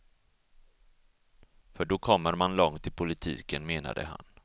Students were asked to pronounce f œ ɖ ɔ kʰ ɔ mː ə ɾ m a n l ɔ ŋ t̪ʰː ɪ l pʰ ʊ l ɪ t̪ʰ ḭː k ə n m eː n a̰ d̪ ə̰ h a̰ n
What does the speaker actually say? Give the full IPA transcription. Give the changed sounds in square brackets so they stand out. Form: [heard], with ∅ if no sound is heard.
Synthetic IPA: f œ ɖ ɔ kʰ ɔ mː ə ɾ m a n l ɔ ŋ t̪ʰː ɪ l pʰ ʊ l ɪ t̪ʰ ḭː k ə n m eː n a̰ d̪ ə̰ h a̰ n